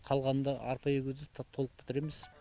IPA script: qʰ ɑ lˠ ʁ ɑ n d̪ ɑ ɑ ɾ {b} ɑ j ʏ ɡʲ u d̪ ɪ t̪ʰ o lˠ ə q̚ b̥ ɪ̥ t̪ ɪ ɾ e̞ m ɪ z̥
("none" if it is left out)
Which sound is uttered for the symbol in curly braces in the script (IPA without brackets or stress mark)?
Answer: p